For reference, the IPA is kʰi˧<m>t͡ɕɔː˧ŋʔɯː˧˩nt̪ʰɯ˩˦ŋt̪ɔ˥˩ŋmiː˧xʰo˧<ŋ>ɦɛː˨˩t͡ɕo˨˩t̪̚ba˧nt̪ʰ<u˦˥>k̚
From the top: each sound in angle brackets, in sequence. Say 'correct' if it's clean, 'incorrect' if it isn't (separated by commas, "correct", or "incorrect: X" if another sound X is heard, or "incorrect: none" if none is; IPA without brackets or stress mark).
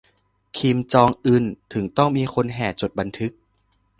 correct, incorrect: n, incorrect: ɯ˦˥